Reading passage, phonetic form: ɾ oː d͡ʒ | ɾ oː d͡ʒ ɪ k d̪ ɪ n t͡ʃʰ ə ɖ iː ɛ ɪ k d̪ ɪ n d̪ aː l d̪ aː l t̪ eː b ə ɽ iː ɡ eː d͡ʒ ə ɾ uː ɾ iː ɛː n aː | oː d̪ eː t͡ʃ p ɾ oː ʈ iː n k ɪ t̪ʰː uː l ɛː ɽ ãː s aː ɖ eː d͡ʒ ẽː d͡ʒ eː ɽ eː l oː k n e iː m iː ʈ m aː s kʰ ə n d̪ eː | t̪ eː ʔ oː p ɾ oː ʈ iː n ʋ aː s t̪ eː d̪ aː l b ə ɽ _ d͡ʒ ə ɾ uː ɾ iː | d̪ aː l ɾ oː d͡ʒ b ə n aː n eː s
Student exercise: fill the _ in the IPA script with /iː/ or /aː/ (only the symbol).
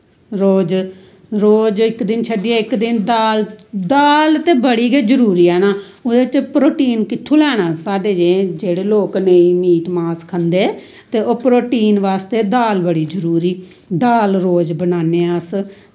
iː